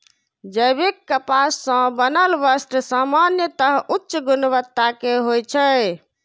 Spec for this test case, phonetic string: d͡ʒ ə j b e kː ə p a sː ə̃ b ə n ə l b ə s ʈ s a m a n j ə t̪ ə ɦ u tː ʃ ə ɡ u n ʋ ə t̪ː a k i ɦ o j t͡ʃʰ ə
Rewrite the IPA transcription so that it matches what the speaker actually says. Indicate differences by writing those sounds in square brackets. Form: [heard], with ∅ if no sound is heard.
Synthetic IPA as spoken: d͡ʒ ə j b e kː ə p a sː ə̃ b ə n ə l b ə s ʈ s a m a n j ə t̪ ə ɦ u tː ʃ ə ɡ u n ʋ ə t̪ː a k [e] ɦ o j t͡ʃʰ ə